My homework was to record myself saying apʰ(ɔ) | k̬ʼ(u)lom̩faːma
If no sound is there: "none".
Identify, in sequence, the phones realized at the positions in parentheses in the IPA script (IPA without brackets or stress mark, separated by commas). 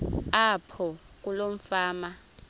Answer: ɔ, u